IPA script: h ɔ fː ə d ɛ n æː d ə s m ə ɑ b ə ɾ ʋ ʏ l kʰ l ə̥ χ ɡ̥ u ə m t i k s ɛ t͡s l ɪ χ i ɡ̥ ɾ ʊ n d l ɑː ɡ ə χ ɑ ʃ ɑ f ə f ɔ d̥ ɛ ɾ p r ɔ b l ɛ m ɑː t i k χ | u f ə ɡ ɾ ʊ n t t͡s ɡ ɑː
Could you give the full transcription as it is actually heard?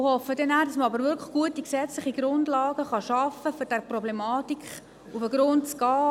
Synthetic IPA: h ɔ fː ə d ɛ n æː d ɑ s m ə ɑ b ə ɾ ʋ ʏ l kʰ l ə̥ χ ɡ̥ u ə t i k s ɛ t͡s l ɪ χ i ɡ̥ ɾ ʊ n d l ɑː ɡ ə χ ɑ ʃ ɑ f ə f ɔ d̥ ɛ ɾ p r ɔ b l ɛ m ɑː t i k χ | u f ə ɡ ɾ ʊ n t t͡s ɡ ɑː